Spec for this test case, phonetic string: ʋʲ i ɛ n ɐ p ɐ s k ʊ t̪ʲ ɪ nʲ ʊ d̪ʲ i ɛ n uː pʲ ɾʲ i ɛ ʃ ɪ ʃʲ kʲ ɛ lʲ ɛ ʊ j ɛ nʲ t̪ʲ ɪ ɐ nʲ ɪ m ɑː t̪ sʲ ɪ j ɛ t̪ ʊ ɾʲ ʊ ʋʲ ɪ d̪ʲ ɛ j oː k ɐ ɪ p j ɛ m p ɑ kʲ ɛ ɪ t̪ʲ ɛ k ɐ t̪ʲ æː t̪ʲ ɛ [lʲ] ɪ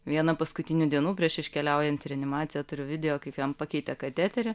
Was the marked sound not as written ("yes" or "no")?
yes